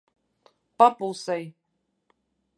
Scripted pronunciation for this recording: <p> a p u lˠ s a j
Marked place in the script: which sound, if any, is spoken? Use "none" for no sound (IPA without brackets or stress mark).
p